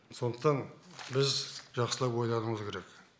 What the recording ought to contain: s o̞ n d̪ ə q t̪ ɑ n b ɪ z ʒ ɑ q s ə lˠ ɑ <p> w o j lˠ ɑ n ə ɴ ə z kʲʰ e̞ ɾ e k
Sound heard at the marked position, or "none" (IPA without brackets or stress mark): p